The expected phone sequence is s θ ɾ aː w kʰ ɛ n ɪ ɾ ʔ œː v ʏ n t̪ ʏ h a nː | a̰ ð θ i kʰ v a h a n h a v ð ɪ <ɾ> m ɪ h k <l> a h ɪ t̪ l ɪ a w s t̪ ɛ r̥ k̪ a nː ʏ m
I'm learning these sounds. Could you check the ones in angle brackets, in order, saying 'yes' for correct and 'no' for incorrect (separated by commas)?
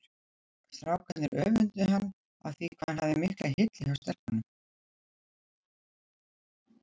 no, yes